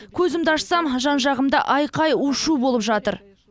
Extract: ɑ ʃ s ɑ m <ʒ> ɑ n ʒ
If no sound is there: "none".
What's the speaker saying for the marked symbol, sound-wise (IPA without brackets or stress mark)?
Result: ʒ